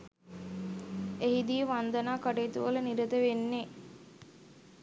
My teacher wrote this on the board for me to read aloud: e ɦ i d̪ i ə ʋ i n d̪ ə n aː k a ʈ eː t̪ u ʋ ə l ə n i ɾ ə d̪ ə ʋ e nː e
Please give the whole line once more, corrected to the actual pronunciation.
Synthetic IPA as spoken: e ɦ i d̪ i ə ʋ a n d̪ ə n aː k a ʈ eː t̪ u ʋ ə l ə n i ɾ ə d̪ ə ʋ e nː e